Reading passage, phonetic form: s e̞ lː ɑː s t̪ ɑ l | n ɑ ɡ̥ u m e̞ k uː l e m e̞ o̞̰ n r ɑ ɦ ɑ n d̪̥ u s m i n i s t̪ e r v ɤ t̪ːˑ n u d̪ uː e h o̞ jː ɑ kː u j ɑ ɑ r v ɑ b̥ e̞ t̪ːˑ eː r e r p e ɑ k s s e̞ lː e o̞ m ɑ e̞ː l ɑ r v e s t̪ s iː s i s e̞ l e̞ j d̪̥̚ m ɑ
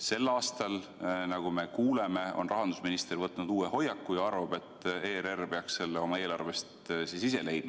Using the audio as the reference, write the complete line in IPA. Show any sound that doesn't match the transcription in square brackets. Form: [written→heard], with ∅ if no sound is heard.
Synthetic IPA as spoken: s e̞ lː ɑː s t̪ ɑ l | n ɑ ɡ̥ u m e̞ k uː l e m e̞ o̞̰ n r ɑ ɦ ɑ n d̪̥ u s m i n i s t̪ e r v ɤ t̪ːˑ n u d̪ uː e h o̞ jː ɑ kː u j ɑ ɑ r v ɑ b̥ e̞ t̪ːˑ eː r e r p e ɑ k s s e̞ lː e o̞ m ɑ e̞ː l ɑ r v e s t̪ s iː s i s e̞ l e̞ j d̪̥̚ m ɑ